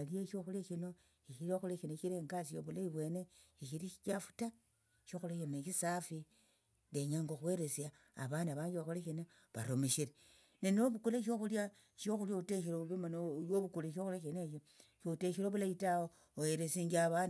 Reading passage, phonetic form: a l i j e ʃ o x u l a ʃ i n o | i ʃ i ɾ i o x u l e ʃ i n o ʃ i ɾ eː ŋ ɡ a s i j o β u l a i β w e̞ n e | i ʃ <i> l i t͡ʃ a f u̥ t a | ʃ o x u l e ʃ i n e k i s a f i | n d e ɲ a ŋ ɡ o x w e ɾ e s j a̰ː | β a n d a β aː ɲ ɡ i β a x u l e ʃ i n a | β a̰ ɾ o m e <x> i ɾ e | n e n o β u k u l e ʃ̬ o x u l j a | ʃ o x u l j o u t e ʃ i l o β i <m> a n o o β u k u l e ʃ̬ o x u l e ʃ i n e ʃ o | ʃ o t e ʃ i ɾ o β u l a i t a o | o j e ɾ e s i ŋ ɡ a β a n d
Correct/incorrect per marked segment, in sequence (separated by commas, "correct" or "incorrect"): correct, incorrect, correct